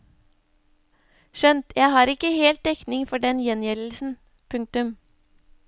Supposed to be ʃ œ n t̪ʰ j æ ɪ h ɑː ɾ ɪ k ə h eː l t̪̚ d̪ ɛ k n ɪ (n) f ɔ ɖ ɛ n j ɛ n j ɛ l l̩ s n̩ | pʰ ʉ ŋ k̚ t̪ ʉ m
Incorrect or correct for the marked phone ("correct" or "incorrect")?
incorrect